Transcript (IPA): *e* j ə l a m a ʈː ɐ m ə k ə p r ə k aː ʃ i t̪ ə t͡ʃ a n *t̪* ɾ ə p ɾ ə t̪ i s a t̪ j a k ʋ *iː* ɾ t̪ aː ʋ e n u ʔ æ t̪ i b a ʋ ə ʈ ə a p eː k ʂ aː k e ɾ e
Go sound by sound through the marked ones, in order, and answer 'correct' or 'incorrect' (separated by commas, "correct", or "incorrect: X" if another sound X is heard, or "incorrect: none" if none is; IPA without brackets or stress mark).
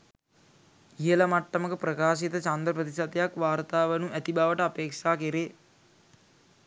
incorrect: i, incorrect: d̪, incorrect: aː